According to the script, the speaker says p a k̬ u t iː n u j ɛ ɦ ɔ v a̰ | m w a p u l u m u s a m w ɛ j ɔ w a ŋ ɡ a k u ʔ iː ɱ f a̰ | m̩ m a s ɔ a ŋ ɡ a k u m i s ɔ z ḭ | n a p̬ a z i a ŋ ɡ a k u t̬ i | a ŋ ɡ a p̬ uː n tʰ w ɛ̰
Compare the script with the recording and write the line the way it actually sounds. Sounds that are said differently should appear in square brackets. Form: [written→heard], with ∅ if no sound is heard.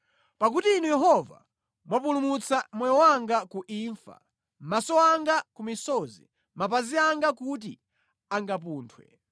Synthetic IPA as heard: p a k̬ u t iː n u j ɛ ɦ ɔ v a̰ | m w a p u l u m u [s→t͡s] a m w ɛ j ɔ w a ŋ ɡ a k u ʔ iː ɱ f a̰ | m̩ m a s ɔ a ŋ ɡ a k u m i s ɔ z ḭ | [n→m] a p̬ a z i a ŋ ɡ a k u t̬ i | a ŋ ɡ a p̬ uː n tʰ w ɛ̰